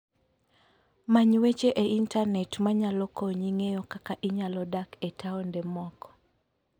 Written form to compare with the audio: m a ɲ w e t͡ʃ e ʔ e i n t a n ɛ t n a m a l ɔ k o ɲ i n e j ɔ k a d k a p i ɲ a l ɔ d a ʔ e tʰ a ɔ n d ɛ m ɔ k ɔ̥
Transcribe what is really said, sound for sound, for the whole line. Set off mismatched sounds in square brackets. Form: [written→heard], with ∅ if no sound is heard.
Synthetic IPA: m a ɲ w e t͡ʃ e ʔ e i n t a n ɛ t [n→m] a [m→ɲ] a l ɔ k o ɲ i [n→ŋ] e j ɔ k a [d→∅] k a [p→ʔ] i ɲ a l ɔ d a [ʔ→k] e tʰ a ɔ n d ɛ m ɔ k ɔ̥